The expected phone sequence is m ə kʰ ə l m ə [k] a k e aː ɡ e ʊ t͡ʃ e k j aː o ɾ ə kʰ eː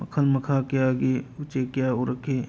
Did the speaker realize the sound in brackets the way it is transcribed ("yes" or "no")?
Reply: no